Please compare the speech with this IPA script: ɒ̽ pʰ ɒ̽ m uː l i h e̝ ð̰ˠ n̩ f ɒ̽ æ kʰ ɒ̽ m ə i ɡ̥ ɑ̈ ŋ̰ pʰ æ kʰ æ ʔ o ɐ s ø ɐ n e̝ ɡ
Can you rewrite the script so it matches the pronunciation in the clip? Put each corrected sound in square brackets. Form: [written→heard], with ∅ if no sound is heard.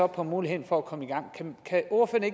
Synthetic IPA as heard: ɒ̽ pʰ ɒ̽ m uː l i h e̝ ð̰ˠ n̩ f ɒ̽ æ kʰ ɒ̽ m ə i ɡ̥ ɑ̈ ŋ̰ [pʰ→kʰ] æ kʰ æ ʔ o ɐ [s→f] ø ɐ n e̝ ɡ